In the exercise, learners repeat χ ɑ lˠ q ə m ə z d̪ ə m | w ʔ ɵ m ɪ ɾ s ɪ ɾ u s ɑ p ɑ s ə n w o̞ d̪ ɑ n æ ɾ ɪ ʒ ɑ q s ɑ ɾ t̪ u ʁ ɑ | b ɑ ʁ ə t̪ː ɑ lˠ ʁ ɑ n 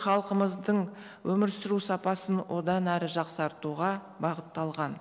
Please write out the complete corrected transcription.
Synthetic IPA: χ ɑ lˠ q ə m ə z d̪ ə ɴ | w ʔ ɵ m ɪ ɾ s ɪ ɾ u s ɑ p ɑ s ə n w o̞ d̪ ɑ n æ ɾ ɪ ʒ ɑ q s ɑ ɾ t̪ u ʁ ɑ | b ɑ ʁ ə t̪ː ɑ lˠ ʁ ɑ n